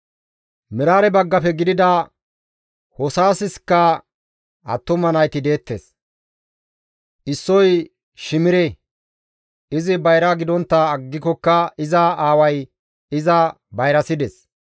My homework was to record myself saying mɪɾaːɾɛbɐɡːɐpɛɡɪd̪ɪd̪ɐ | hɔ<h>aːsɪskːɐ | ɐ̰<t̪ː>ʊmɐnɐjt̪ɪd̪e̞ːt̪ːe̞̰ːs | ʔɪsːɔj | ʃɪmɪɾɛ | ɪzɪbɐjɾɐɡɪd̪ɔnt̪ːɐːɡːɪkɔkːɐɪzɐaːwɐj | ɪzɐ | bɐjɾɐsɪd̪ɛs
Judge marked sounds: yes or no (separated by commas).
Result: no, yes